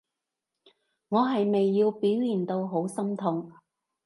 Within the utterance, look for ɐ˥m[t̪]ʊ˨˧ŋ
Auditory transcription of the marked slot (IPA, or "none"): t̪ʰ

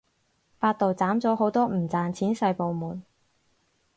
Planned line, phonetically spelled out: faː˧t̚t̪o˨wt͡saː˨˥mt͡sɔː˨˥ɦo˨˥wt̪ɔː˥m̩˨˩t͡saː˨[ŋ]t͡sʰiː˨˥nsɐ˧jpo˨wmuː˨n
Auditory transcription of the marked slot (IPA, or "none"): n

